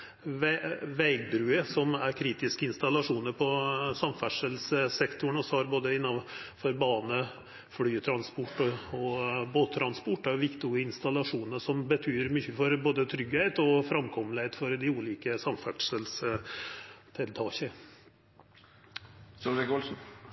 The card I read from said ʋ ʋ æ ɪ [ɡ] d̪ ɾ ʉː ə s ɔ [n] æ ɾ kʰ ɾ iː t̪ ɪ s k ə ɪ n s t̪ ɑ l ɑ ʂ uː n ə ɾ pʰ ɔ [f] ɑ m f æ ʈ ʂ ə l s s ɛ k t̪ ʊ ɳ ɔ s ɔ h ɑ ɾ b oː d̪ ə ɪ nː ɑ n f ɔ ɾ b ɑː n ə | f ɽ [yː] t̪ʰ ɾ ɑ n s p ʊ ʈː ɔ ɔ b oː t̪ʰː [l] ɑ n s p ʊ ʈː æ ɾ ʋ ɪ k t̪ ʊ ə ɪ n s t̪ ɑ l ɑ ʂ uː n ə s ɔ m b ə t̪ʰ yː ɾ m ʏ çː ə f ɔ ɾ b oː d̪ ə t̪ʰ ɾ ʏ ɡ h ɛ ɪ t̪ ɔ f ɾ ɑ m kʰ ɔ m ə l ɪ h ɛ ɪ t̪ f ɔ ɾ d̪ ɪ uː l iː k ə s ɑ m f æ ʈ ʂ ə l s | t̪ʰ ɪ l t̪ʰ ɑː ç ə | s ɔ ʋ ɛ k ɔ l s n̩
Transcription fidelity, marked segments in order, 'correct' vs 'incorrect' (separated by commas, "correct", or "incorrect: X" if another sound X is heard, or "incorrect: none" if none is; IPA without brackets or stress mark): correct, incorrect: m, incorrect: s, correct, incorrect: ɾ